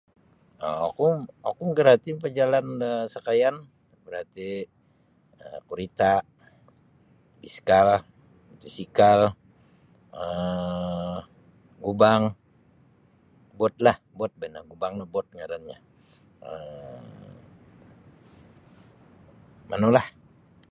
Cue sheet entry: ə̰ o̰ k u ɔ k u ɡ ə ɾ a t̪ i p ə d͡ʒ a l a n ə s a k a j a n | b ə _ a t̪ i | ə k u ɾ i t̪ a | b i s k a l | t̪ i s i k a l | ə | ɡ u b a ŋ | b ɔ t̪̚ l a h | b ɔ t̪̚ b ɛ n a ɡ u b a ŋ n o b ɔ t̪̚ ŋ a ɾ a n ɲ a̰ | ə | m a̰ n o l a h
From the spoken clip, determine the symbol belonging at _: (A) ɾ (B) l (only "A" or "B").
A